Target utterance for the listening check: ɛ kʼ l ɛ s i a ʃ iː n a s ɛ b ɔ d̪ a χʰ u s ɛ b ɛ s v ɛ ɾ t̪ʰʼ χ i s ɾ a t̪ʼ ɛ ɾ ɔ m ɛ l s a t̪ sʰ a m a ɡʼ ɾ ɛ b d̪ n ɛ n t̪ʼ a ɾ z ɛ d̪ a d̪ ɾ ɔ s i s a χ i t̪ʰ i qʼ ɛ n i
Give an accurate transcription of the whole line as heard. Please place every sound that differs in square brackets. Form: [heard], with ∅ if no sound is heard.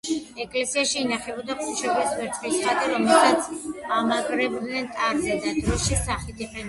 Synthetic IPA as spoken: ɛ kʼ l ɛ s i a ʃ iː n a [χ] ɛ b ɔ d̪ a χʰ u [ʃ] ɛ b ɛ s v ɛ ɾ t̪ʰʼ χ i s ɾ a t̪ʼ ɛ ɾ ɔ m ɛ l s a t̪ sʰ a m a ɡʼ ɾ ɛ b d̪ n ɛ n t̪ʼ a ɾ z ɛ d̪ a d̪ ɾ ɔ [ʃ] i s a χ i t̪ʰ i qʼ ɛ n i